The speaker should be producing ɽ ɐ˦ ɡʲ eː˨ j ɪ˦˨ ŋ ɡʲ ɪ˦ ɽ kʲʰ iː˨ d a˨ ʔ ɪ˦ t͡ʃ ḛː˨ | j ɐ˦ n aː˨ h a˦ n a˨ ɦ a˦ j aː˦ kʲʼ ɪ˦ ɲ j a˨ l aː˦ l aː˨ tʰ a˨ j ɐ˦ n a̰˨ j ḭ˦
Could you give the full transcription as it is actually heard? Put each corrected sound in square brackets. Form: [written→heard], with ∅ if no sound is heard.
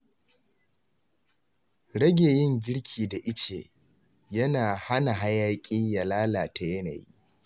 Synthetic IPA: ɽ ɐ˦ ɡʲ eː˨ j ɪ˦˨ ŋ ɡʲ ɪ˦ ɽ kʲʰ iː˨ d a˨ ʔ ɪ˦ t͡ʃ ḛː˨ | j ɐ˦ n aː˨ h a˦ n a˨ ɦ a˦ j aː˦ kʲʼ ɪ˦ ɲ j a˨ l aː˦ l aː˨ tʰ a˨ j ɐ˦ n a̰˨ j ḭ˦